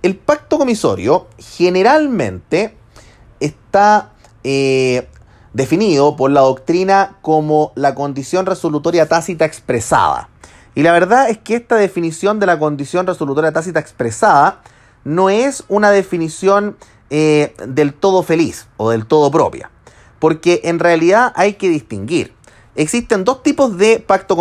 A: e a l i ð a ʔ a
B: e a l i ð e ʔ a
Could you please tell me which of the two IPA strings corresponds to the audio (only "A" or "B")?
A